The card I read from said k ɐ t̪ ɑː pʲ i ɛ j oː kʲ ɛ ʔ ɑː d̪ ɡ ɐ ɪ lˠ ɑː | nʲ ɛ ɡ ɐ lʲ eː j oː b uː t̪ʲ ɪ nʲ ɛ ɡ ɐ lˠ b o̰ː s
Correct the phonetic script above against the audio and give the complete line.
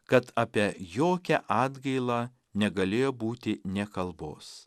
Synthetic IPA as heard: k ɐ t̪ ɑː pʲ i ɛ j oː kʲ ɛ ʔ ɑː d̪ ɡ ɐ ɪ lˠ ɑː | nʲ ɛ ɡ ɐ lʲ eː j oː b uː t̪ʲ ɪ nʲ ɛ k ɐ lˠ b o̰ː s

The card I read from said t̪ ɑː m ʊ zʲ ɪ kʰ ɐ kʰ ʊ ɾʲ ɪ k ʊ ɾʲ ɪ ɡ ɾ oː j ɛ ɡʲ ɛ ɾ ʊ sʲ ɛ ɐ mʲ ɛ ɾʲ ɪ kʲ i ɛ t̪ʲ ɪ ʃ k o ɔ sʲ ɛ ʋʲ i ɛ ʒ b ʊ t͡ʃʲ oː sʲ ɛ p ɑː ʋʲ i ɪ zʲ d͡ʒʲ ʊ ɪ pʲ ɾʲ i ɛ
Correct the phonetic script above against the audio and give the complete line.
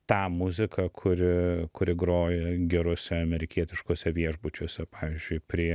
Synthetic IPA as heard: t̪ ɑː m ʊ zʲ ɪ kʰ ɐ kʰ ʊ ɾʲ ɪ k ʊ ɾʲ ɪ ɡ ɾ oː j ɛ ɡʲ ɛ ɾ ʊ sʲ ɛ ɐ mʲ ɛ ɾʲ ɪ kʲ i ɛ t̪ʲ ɪ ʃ k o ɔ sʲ ɛ ʋʲ i ɛ ʒ b ʊ t͡ʃʲ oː sʲ ɛ p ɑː ʋʲ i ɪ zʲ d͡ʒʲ ʊ ɪ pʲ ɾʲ i ɛ

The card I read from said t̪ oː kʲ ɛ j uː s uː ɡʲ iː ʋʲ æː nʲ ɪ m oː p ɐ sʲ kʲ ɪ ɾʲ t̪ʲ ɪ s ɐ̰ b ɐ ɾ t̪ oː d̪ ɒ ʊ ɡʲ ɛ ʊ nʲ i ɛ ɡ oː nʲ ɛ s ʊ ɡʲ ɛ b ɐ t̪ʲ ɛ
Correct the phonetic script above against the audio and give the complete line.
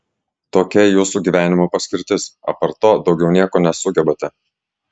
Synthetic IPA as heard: t̪ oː kʲ ɛ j uː s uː ɡʲ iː ʋʲ æː nʲ ɪ m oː p ɐ sʲ kʲ ɪ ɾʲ t̪ʲ ɪ s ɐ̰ p ɐ ɾ t̪ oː d̪ ɒ ʊ ɡʲ ɛ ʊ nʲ i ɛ k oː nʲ ɛ s ʊ ɡʲ ɛ b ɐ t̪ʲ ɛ

